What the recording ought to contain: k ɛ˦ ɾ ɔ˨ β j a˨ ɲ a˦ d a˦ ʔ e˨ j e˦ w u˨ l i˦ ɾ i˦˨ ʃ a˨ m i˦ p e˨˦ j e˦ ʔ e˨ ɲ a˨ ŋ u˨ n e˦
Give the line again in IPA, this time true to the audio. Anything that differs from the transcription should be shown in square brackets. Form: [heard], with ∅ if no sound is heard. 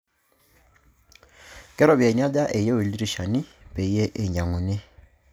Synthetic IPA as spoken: k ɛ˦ ɾ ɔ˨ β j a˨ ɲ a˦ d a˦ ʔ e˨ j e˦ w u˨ l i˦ ɾ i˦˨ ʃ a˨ [n] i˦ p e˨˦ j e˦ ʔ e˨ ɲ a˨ ŋ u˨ n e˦